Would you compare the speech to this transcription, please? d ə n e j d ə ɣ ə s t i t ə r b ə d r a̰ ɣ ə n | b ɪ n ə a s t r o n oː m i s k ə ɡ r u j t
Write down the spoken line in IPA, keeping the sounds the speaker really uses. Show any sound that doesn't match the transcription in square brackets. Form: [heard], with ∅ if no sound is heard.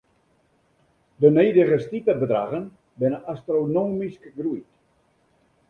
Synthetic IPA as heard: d ə n e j d ə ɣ ə s t i t ə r b ə d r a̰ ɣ ə n | b ɪ n ə a s t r o n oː m i s k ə ɡ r u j t